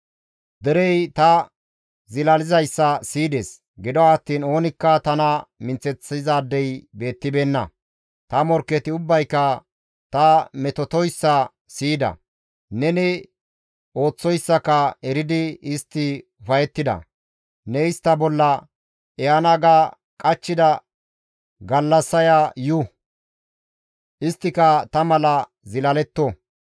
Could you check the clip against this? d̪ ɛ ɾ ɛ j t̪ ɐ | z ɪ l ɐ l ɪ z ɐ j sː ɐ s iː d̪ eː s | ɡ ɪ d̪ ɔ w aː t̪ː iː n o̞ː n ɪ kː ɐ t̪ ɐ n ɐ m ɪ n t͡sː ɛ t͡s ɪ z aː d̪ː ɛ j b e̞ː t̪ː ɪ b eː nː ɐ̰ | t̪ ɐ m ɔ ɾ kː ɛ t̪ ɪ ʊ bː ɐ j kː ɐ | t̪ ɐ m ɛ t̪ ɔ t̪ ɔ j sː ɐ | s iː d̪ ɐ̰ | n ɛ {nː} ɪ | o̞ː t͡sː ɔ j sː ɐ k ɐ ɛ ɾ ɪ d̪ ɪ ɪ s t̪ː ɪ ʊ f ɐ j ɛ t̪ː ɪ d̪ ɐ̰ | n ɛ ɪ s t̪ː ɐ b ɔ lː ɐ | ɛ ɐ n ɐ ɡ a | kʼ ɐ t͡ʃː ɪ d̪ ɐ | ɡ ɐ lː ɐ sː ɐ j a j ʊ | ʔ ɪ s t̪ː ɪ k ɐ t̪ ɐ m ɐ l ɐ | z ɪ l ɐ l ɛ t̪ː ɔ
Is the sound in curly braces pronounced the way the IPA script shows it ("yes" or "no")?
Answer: no